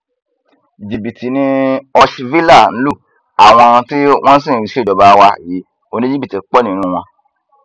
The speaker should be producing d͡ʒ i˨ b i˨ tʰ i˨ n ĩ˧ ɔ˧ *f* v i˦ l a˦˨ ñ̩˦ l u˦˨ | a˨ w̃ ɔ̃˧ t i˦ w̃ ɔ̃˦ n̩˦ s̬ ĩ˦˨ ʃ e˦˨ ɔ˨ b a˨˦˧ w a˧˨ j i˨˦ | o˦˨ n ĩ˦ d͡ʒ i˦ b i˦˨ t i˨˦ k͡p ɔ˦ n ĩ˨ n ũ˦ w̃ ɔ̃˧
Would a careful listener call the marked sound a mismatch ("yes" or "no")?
yes